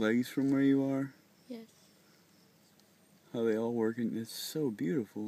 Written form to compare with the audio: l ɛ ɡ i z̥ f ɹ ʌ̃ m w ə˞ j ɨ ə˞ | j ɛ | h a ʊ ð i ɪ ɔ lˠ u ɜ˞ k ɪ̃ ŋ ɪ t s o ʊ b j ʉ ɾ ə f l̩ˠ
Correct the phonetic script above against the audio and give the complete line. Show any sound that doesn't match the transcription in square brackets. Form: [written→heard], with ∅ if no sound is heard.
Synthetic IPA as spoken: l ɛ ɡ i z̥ f ɹ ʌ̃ m w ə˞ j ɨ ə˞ | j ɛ | h a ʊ ð [i→e] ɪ ɔ lˠ [u→w] ɜ˞ k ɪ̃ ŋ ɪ t s o ʊ b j ʉ ɾ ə f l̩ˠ